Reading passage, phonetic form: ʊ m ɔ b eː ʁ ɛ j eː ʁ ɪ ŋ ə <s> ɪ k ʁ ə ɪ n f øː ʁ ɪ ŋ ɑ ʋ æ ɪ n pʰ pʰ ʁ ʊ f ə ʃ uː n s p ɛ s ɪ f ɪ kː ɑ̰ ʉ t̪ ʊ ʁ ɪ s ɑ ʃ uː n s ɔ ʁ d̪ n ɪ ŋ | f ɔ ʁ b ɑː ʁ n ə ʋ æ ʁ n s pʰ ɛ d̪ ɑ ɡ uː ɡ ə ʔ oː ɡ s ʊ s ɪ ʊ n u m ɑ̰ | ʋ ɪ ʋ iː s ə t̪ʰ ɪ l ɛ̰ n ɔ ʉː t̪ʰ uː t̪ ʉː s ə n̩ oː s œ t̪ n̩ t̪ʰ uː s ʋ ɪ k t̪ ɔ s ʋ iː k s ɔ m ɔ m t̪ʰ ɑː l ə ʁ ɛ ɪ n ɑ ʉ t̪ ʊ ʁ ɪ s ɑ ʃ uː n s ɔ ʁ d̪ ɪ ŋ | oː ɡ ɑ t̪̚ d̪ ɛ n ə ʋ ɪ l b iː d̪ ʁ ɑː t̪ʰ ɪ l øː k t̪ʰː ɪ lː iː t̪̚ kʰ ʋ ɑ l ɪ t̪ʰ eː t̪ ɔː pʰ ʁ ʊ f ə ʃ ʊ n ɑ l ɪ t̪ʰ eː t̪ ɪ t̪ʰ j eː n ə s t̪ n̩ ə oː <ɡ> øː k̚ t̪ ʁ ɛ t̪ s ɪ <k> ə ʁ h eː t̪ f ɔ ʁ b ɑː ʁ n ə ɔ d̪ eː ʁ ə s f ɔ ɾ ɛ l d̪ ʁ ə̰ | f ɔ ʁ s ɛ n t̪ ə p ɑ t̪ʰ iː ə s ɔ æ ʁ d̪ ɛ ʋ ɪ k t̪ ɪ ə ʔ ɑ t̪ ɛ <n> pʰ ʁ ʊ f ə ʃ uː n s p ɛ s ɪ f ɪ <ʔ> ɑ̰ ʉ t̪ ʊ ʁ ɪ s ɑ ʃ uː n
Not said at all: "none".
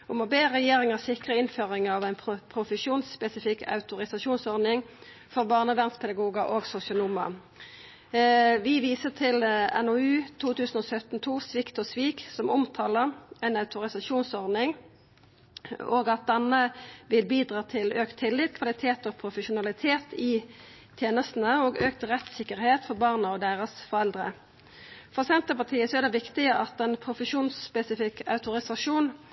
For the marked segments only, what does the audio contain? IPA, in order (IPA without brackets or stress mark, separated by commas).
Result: s, ɡ, k, n, k